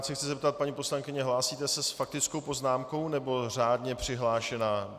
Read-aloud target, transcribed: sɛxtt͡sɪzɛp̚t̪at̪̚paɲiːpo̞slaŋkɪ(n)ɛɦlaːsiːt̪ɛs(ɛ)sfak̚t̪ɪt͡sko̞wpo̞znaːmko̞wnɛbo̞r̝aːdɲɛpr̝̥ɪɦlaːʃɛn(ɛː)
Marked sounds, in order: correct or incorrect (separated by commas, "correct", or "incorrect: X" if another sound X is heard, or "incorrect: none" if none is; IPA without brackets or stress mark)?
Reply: incorrect: ɲ, correct, incorrect: aː